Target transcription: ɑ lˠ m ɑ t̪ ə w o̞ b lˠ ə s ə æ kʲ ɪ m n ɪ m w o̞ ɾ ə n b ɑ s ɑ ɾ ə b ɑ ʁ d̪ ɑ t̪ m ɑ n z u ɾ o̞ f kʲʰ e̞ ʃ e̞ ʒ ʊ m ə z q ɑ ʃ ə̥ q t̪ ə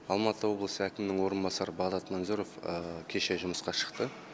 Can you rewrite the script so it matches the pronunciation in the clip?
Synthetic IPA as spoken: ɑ lˠ m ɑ t̪ ə w o̞ b lˠ ə s ə æ kʲ ɪ m n ɪ ŋ w o̞ ɾ ə n b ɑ s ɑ ɾ ə b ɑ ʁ d̪ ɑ t̪ m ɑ n z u ɾ o̞ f kʲʰ e̞ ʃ e̞ ʒ ʊ m ə s q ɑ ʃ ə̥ q t̪ ə